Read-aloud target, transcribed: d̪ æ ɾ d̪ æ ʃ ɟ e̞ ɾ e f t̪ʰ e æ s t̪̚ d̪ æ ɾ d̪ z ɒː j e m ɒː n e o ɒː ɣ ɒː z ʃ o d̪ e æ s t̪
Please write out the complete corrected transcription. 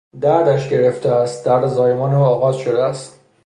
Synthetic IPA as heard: d̪ æ ɾ d̪ æ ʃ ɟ e̞ ɾ e f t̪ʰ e æ s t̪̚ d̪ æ ɾ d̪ z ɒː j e m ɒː n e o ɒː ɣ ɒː z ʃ o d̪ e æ s t̪